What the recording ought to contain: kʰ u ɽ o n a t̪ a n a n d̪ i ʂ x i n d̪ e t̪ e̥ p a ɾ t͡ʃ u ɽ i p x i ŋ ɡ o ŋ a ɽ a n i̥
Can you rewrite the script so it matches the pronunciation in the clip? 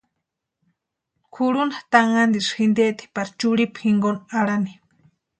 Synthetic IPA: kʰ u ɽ u n a t̪ a ŋ a n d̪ i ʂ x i n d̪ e t̪ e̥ p a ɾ t͡ʃ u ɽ i p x i ŋ ɡ o n a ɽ a n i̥